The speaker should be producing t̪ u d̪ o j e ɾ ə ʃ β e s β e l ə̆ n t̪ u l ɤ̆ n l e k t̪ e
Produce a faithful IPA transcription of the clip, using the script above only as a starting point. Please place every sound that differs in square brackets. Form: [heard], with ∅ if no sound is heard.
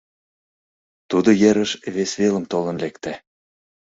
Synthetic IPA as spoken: t̪ u d̪ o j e ɾ ə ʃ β e s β e l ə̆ [m] t̪ [o] l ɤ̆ n l e k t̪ [æ]